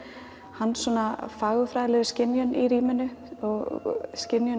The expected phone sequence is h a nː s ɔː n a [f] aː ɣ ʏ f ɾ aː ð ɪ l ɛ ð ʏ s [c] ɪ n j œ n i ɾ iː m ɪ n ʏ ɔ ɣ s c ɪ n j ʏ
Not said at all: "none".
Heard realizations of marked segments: f, c

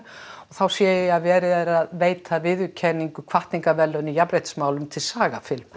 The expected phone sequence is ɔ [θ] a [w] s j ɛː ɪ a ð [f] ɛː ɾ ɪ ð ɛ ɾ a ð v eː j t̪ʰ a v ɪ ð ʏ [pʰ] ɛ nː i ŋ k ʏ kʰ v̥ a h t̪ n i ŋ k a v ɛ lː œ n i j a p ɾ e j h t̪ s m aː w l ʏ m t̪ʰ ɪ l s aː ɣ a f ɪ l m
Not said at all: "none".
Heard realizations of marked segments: θ, w, v, cʰ

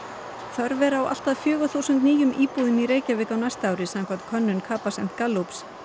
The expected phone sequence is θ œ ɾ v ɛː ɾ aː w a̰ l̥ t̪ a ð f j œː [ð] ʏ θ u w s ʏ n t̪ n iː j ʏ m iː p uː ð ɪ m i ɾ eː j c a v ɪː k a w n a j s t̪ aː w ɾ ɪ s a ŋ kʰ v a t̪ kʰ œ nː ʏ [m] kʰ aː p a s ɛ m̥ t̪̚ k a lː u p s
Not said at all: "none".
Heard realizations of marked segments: ɣ, n

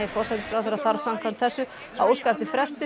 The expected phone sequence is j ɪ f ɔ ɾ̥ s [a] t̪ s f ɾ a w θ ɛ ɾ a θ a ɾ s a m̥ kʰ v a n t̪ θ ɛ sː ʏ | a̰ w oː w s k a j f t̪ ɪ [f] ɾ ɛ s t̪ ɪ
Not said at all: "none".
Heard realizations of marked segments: ɛ, f

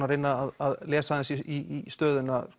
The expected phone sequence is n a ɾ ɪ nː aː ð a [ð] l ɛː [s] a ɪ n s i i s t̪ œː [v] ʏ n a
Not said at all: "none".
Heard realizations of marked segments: ð, s, ð

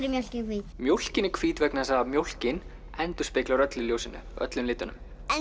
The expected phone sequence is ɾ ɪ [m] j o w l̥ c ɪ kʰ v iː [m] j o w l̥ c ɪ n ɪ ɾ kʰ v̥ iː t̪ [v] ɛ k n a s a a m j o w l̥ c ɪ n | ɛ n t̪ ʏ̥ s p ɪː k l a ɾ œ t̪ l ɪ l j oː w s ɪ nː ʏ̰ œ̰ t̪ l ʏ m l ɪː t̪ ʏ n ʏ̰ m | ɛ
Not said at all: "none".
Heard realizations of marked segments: m, m, v

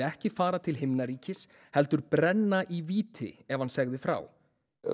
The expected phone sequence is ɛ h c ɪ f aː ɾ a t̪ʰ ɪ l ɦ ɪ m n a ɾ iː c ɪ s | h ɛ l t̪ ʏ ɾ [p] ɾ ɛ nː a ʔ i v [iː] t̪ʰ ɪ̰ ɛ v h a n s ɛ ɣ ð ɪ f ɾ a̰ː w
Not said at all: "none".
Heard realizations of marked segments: p, iː

